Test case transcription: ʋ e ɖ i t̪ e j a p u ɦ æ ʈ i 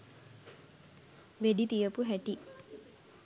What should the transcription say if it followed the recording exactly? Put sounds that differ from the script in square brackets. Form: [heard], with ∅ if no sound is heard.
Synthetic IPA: ʋ e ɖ i t̪ [i] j [ə] p u ɦ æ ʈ i